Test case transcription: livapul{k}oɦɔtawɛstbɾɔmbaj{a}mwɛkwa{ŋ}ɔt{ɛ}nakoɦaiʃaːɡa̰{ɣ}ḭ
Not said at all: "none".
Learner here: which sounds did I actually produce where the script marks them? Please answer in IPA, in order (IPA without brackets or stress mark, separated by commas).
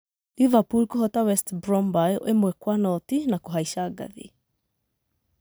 k, e, n, i, ð